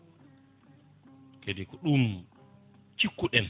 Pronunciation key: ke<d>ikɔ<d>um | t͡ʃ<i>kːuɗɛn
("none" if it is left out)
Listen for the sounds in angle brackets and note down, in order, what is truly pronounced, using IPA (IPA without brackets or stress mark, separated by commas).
d, ɗ, i